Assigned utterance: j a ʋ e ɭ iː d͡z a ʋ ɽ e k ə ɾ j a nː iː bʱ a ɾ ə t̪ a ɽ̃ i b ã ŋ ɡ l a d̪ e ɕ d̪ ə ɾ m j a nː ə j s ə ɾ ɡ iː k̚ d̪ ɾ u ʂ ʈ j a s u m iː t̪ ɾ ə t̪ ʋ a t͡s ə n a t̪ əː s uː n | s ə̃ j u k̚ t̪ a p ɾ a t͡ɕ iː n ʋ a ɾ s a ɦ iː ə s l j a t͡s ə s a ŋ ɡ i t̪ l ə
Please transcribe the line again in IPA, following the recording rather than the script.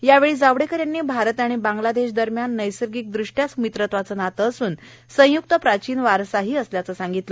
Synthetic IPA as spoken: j a ʋ e ɭ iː d͡z a ʋ ɽ e k ə ɾ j a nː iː bʱ a ɾ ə t̪ a ɽ̃ i b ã ŋ ɡ l a d̪ e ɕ d̪ ə ɾ m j a nː ə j s ə ɾ ɡ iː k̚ d̪ ɾ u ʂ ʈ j a s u m i t̪ ɾ ə t̪ ʋ a t͡s ə n a t̪ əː s uː n | s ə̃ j u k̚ t̪ ə p ɾ a t͡ɕ iː n ʋ a ɾ s a ɦ iː ə s l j a t͡s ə s a ŋ ɡ i t̪ l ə